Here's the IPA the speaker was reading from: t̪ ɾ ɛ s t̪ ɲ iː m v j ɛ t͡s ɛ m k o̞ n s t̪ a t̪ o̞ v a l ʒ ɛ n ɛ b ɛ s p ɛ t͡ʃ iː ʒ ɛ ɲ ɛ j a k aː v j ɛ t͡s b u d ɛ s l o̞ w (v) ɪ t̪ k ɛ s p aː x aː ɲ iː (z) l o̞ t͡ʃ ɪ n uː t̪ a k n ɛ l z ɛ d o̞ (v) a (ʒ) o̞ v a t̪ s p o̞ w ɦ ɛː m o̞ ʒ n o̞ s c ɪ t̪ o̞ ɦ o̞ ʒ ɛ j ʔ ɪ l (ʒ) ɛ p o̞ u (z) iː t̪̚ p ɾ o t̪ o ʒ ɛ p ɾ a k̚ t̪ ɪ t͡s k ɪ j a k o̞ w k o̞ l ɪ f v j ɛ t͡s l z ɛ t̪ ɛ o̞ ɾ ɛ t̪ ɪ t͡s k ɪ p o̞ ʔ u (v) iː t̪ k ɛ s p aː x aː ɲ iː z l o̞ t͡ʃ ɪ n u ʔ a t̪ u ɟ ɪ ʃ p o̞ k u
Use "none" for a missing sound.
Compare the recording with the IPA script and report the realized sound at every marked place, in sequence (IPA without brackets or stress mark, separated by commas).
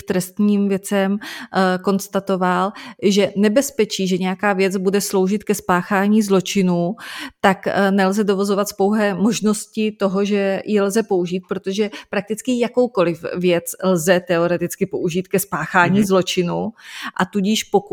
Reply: ʒ, z, v, z, z, ʒ, ʒ